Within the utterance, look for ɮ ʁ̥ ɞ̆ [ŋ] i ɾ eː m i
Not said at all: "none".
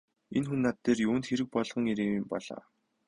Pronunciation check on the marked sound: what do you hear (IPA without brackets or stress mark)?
ŋ